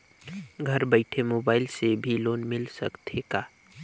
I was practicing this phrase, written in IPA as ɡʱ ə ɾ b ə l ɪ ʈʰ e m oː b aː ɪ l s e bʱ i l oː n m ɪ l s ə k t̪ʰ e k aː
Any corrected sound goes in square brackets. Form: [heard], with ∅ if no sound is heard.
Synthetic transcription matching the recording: ɡʱ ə ɾ b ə [∅] ɪ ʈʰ e m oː b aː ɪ l s e bʱ i l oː n m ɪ l s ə k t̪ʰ e k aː